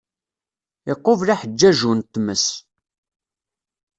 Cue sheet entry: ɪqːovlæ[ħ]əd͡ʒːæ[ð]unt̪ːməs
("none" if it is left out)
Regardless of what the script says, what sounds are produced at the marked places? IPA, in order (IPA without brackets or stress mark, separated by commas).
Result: ħ, ʒ